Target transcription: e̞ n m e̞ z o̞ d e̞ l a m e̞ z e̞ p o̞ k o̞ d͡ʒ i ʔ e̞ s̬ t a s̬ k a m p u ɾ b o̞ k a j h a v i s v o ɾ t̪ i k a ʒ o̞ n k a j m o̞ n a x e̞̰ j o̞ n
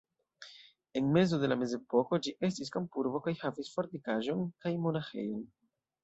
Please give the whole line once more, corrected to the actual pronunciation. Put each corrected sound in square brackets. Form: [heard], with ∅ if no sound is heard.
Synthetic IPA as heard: e̞ n m e̞ z o̞ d e̞ l a m e̞ z e̞ p o̞ k o̞ d͡ʒ i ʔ e̞ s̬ t [i] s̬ k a m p u ɾ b o̞ k a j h a v i s [f] o ɾ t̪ i k a ʒ o̞ n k a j m o̞ n a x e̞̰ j o̞ n